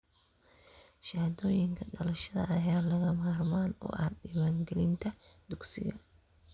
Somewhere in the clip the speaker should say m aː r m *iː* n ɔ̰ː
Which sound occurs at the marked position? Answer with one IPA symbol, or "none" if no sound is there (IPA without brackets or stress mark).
aː